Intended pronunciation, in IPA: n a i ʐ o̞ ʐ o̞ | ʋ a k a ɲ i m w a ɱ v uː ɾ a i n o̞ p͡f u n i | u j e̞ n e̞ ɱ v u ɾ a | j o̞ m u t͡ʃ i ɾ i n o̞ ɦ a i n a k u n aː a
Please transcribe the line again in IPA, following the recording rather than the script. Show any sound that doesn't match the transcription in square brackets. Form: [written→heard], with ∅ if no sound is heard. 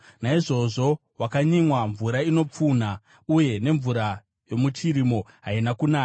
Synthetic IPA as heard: n a i ʐ o̞ ʐ o̞ | [ʋ→w] a k a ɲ i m w a ɱ v [uː→u] ɾ a i n o̞ p͡f u n [i→a] | u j e̞ n e̞ ɱ v u ɾ a | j o̞ m u t͡ʃ i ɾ i [n→m] o̞ ɦ a i n a k u n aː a

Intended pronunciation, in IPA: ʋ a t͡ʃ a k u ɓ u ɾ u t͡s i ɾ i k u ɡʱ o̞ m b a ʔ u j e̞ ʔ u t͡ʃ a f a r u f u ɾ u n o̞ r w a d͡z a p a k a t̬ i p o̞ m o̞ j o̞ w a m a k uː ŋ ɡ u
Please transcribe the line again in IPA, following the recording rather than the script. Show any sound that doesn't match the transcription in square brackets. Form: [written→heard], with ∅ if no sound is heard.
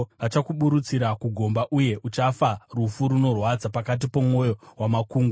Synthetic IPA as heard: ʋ a t͡ʃ a k u ɓ u ɾ u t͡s i ɾ [i→a] k u ɡʱ o̞ m b a ʔ u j e̞ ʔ u t͡ʃ a f a r u f u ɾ u n o̞ r w a d͡z a p a k a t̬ i p o̞ m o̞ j o̞ w a m a k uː ŋ ɡ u

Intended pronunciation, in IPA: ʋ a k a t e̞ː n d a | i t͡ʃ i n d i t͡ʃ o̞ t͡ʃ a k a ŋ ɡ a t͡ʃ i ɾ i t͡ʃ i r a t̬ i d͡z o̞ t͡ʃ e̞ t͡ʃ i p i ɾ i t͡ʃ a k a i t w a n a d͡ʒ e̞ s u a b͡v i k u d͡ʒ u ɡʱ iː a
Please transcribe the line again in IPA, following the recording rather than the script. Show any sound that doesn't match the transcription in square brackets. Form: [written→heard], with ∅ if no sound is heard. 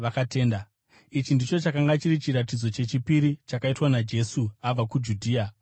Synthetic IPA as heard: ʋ a k a t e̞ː n d a | i t͡ʃ i n d i t͡ʃ o̞ t͡ʃ a k a ŋ ɡ a t͡ʃ i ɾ i t͡ʃ i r a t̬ i d͡z o̞ t͡ʃ e̞ t͡ʃ i p i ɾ i t͡ʃ a k a i t w a n a d͡ʒ e̞ s u a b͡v [i→a] k u d͡ʒ u [ɡʱ→dʱ] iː a

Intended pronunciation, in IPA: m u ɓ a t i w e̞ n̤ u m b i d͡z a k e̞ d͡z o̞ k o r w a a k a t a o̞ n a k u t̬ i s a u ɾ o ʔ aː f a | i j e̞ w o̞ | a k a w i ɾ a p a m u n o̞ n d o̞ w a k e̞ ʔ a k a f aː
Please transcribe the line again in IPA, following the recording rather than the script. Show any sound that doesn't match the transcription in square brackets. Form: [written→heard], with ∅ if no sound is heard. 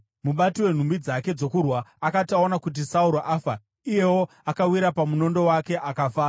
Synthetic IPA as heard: m u ɓ a t i w e̞ n̤ u m b i d͡z a k e̞ d͡z o̞ k [o→u] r w a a k a t a o̞ n a k u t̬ i s a u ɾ o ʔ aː f a | i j e̞ w o̞ | a k a w i ɾ a p a m u n o̞ n d o̞ w a k e̞ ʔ a k a f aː

